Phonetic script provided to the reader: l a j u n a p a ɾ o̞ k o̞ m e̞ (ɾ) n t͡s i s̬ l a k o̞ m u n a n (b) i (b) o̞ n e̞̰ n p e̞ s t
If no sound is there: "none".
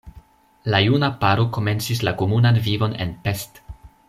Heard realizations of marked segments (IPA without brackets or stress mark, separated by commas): none, v, v